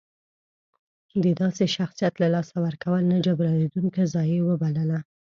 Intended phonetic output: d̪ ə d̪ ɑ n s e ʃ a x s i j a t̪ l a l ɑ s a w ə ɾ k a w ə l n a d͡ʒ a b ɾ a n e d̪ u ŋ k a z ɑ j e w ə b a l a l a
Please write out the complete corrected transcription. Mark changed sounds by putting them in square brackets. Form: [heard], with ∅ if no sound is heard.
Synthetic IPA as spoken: d̪ ə d̪ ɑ [∅] s e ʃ a x s i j a t̪ l a l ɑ s a w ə ɾ k a w ə l n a d͡ʒ a b ɾ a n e d̪ u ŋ k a z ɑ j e w ə b a l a l a